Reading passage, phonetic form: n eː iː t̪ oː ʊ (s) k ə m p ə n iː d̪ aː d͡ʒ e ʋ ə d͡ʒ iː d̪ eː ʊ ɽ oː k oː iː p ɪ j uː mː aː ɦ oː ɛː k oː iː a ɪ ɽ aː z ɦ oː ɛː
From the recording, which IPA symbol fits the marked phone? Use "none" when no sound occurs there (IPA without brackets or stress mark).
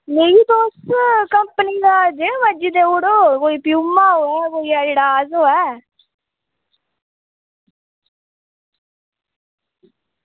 s